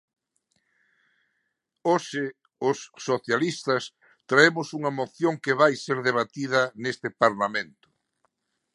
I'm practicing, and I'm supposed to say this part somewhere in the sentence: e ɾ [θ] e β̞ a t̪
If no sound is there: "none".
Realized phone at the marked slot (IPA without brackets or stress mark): ð